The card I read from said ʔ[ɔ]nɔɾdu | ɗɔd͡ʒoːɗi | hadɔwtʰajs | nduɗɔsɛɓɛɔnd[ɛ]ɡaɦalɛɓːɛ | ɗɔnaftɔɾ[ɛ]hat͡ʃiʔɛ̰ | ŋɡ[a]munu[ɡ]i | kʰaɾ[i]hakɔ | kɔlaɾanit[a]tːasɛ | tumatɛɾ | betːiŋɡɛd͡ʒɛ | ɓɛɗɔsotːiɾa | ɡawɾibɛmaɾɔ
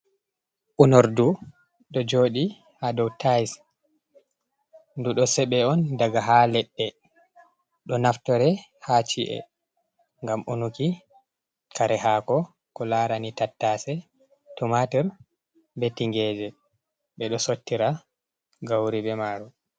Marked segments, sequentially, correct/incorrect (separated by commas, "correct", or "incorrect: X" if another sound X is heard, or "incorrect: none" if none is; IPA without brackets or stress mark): incorrect: u, incorrect: a, correct, correct, incorrect: k, incorrect: ɛ, correct